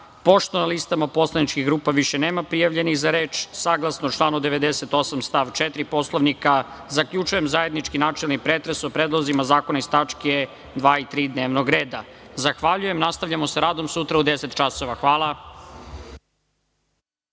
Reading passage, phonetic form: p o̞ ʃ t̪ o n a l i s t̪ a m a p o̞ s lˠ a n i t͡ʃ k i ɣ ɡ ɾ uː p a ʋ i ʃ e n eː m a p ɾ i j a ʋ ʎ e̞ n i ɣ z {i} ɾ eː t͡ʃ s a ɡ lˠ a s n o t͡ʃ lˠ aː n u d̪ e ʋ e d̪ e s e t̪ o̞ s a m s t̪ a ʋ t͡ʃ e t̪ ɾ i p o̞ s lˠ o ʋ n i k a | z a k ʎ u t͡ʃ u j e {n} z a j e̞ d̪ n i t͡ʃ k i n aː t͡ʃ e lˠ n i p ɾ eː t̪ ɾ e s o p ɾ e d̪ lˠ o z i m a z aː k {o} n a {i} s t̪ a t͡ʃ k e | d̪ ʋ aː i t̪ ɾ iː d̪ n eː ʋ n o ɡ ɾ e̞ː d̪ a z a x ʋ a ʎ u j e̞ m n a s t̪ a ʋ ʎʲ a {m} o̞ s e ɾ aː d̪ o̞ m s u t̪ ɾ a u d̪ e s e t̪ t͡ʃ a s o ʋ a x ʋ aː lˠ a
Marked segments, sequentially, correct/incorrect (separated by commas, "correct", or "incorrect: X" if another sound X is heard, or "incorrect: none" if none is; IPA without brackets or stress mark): incorrect: a, incorrect: m, correct, correct, correct